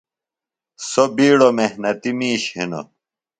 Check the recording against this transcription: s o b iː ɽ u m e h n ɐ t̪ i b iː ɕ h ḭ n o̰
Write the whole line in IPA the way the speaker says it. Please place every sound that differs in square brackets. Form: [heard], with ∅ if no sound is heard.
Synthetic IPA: s o b iː ɽ [o] m e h n ɐ t̪ i [m] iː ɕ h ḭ n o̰